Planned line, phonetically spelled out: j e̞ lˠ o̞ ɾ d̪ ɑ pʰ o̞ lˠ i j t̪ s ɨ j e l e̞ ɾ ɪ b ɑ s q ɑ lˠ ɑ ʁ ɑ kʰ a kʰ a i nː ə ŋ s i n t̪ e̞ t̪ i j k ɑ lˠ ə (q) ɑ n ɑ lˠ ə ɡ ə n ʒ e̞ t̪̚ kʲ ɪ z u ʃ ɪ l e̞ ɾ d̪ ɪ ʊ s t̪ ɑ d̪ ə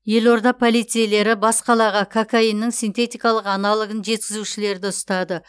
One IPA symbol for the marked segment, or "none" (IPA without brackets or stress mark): q